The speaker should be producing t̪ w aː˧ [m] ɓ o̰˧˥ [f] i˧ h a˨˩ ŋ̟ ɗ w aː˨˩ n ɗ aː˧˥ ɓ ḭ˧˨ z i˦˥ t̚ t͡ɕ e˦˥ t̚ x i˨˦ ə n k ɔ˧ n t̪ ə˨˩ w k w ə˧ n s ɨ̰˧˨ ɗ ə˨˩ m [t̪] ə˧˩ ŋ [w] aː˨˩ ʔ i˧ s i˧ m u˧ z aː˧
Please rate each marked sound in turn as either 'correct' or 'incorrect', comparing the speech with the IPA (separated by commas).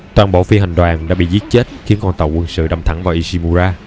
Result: incorrect, correct, incorrect, incorrect